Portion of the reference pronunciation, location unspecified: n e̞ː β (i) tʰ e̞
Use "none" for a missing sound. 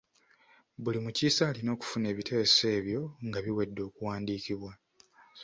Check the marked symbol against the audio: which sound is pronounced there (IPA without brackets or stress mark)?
i